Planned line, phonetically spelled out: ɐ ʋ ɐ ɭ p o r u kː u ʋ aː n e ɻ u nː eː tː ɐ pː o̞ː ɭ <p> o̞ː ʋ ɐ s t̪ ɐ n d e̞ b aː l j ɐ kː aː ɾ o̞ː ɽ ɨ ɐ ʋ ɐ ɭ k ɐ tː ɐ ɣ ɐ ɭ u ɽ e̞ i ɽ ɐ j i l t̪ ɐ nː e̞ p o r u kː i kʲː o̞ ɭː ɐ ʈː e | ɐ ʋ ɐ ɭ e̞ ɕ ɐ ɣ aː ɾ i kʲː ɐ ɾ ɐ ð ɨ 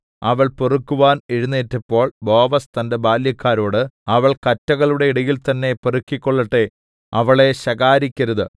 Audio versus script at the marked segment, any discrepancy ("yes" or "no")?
yes